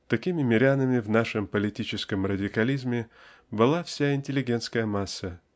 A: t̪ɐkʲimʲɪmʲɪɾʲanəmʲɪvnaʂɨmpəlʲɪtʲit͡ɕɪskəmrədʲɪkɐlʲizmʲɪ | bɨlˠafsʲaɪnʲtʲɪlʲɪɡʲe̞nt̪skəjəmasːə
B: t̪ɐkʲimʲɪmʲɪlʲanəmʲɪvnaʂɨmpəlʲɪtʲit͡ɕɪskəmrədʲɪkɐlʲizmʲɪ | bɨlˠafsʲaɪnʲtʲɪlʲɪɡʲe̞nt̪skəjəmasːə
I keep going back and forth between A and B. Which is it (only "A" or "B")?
A